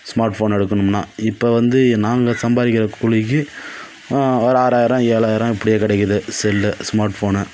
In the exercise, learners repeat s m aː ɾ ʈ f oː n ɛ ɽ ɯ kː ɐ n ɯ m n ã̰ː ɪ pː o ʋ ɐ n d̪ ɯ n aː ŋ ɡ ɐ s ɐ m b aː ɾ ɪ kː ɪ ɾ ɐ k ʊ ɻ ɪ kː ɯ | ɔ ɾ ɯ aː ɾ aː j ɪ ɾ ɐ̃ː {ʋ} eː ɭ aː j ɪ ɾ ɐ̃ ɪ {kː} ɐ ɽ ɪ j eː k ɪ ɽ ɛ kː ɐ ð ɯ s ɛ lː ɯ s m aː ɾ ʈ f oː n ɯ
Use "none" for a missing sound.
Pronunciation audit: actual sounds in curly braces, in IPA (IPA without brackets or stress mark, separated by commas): none, pː